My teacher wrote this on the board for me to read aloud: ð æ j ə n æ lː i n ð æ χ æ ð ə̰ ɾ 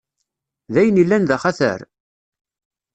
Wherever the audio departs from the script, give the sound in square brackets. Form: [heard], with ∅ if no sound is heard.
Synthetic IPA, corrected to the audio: ð æ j ə n [i] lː [æ] n ð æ χ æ [θ] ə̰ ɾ